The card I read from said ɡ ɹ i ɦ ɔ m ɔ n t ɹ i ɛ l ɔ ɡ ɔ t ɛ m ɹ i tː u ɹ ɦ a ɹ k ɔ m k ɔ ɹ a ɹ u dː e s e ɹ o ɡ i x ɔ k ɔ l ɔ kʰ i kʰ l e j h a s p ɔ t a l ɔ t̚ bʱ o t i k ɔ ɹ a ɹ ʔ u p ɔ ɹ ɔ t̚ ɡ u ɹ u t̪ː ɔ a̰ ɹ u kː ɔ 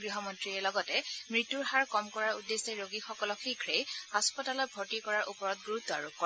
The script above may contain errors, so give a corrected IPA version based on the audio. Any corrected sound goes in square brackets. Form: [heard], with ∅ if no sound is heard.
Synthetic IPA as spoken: ɡ ɹ i ɦ ɔ m ɔ n t ɹ i ɛ l ɔ ɡ ɔ t ɛ m ɹ i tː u ɹ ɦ a ɹ k ɔ m k ɔ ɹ a ɹ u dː e s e ɹ o ɡ i x ɔ k ɔ l ɔ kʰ i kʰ [ɹ] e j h a s p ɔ t a l ɔ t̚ bʱ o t i k ɔ ɹ a ɹ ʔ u p ɔ ɹ ɔ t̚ ɡ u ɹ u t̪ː ɔ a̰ ɹ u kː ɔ